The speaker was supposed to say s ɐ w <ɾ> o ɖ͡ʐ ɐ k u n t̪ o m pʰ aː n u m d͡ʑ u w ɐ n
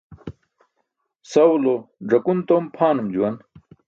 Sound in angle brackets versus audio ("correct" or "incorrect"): incorrect